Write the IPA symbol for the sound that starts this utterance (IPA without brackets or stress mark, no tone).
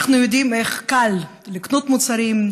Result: χ